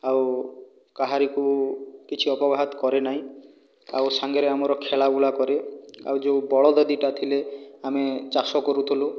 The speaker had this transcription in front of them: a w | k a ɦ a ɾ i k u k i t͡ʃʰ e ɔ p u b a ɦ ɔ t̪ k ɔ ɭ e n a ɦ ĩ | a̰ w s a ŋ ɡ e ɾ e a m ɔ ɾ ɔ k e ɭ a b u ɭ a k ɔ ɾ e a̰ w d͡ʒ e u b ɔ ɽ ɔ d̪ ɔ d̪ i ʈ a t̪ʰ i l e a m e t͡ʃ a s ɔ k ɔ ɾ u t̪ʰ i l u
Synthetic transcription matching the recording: a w | k a ɦ a ɾ i k u k i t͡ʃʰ i ɔ p ɔ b a ɦ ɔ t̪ k ɔ ɾ e n a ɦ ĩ | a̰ w s a ŋ ɡ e ɾ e a m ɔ ɾ ɔ kʰ e ɭ a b u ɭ a k ɔ ɾ e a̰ w d͡ʒ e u b ɔ ɭ ɔ d̪ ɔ d̪ i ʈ a t̪ʰ i l e a m e t͡ʃ a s ɔ k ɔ ɾ u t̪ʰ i l u